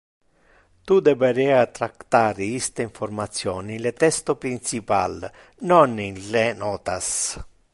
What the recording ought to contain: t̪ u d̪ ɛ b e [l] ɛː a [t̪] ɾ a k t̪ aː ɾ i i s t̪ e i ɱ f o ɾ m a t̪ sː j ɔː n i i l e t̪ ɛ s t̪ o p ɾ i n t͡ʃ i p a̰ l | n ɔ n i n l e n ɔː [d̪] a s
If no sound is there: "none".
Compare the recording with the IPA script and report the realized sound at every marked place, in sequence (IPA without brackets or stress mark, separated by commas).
ɾ, t̪, t̪